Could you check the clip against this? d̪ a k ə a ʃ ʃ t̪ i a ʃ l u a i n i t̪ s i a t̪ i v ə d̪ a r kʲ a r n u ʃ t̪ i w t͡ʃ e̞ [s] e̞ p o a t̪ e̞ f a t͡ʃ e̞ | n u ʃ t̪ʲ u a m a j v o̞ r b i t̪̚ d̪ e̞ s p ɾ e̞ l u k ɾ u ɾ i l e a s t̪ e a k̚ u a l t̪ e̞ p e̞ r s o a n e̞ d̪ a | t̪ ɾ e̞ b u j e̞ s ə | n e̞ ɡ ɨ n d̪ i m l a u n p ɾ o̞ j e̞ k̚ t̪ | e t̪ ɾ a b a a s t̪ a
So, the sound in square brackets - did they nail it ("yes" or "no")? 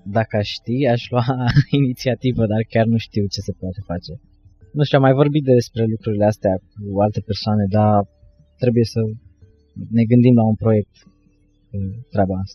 yes